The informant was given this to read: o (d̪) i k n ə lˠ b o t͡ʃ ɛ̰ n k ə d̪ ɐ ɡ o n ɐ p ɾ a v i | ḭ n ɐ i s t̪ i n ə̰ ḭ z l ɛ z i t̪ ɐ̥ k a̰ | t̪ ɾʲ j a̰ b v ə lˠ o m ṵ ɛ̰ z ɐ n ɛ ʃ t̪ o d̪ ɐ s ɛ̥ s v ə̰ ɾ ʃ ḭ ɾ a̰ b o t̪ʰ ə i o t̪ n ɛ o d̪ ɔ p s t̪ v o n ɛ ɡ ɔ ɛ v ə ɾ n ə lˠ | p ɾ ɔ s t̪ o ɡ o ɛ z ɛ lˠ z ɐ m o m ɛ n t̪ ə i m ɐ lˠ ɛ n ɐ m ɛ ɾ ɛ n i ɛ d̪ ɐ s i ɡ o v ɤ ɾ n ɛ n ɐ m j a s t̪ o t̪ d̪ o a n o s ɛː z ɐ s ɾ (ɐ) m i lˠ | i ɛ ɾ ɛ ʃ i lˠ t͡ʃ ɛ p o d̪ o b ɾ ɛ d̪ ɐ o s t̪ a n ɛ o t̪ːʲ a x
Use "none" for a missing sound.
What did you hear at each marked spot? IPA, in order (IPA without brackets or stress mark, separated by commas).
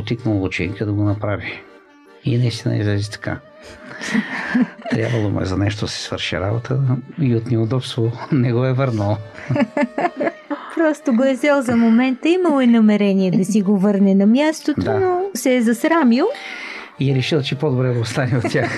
t̪, a